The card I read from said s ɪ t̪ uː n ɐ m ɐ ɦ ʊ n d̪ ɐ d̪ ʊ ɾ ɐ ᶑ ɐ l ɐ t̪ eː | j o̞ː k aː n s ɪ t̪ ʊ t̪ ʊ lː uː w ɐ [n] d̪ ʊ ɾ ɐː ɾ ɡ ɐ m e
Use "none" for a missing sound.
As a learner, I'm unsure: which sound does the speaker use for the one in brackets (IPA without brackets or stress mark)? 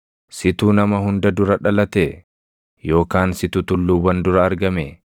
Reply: n